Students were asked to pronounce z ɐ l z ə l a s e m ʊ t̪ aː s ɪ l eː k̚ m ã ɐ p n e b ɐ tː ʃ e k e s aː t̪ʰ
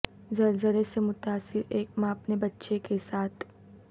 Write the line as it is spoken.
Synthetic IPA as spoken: z ɐ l z ə l e s e m ʊ t̪ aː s ɪ ɾ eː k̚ m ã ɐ p n e b ɐ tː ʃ e k e s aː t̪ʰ